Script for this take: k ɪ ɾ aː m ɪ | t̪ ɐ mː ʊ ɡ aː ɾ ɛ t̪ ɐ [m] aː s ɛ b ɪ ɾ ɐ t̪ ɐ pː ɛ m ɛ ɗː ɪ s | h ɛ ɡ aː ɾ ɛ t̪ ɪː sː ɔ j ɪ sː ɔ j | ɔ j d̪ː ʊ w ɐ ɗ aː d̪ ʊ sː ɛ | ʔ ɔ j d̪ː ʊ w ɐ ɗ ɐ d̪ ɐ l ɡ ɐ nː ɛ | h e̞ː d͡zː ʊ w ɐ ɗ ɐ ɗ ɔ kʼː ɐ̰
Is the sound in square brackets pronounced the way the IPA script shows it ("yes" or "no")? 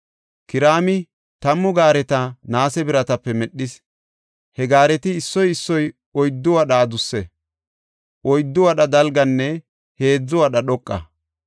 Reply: no